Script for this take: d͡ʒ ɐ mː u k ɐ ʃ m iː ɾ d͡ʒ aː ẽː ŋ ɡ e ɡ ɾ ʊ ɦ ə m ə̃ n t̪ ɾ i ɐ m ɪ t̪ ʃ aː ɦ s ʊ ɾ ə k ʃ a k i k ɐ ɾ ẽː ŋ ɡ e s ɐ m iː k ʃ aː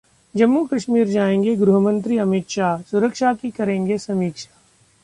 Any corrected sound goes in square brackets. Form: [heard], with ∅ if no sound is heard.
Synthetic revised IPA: d͡ʒ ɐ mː u k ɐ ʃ m iː ɾ d͡ʒ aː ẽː ŋ ɡ e ɡ ɾ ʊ ɦ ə m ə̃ n t̪ ɾ i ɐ m ɪ t̪ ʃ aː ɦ s ʊ ɾ ə k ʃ a k i k ɐ ɾ ẽː ŋ ɡ e s ɐ m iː k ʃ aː